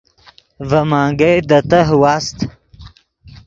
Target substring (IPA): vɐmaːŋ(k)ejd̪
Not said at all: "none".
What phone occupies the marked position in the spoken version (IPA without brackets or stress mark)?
ɡ